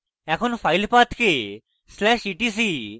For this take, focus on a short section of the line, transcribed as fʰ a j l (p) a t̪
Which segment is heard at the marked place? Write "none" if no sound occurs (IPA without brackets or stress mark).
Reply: p